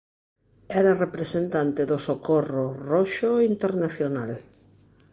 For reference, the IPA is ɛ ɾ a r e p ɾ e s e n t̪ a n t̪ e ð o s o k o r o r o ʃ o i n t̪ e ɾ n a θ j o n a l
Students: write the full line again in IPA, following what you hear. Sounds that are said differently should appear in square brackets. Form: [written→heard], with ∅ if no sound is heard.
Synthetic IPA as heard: ɛ ɾ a r e p ɾ e s e n t̪ a n t̪ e ð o s o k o r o r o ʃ o i n t̪ e ɾ n a θ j o n a l